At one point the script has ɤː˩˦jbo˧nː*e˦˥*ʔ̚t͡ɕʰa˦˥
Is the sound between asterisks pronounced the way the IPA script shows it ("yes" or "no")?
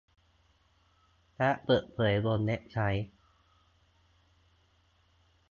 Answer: yes